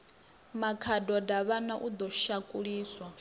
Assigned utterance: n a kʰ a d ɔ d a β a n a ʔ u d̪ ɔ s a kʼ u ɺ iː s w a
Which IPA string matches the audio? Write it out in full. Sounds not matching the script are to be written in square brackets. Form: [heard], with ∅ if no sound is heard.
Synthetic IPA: [m] a kʰ a d ɔ d a β a n a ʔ u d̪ ɔ [ʃ] a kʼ u ɺ iː s w a